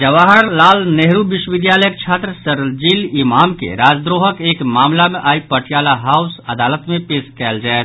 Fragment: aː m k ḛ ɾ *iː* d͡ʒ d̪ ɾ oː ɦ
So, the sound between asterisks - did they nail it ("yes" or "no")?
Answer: no